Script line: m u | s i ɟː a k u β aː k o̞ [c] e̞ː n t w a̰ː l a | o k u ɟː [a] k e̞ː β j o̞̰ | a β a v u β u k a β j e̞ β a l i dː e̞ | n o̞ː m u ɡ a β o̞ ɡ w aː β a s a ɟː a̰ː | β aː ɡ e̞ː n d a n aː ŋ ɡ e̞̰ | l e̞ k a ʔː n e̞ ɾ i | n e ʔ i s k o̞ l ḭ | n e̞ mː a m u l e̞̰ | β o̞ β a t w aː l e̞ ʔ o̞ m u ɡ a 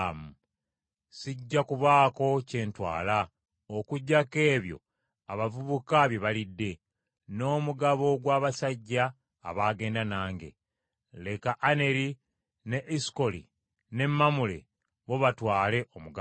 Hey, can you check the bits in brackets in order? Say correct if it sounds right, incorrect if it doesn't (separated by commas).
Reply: correct, correct